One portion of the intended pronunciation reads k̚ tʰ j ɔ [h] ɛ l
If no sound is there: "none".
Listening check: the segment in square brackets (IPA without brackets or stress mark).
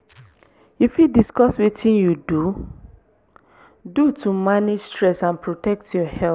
h